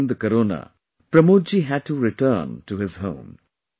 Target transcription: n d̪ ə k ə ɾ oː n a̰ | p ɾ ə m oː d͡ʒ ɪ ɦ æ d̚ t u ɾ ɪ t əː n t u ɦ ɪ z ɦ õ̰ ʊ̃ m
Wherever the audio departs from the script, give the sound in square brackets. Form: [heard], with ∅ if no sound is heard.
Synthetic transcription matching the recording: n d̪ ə k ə ɾ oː n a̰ | p ɾ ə m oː d͡ʒ [i] ɦ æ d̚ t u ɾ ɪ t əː n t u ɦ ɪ z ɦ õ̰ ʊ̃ m